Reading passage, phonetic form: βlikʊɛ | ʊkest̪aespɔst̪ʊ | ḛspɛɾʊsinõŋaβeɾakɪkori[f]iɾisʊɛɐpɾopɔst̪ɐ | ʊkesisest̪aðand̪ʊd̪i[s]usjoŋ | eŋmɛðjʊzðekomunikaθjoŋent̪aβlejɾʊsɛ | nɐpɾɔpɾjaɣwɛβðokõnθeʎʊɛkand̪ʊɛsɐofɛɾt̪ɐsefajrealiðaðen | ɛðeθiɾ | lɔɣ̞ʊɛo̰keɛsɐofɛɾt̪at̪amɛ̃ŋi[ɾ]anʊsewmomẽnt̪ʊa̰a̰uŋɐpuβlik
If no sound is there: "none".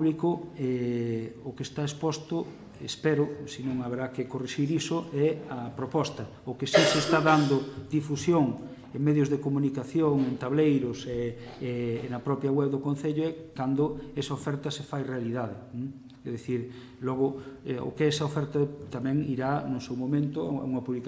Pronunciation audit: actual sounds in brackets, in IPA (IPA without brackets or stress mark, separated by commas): ʃ, f, ɾ